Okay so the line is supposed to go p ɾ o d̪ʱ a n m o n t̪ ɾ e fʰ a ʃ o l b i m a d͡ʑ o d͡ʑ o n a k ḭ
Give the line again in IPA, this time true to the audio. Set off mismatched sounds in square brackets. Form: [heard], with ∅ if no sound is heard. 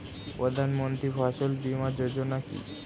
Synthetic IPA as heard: p ɾ o d̪ʱ a n m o n t̪ ɾ [i] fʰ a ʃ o l b i m a d͡ʑ o d͡ʑ o n a k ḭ